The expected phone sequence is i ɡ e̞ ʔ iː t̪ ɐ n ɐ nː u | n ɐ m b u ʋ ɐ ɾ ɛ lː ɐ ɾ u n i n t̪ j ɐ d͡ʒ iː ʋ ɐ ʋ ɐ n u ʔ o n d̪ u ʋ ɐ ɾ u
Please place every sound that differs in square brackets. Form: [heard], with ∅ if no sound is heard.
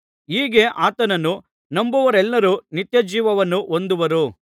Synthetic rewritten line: [iː] ɡ e̞ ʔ [aː] t̪ ɐ n ɐ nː u | n ɐ m b u ʋ ɐ ɾ ɛ lː ɐ ɾ u n i [∅] t̪ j ɐ d͡ʒ iː ʋ ɐ ʋ ɐ [nː] u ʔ o n d̪ u ʋ ɐ ɾ u